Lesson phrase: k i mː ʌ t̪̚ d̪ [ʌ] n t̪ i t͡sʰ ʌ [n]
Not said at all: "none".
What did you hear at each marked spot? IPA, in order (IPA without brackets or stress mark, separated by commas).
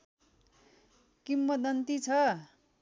ʌ, none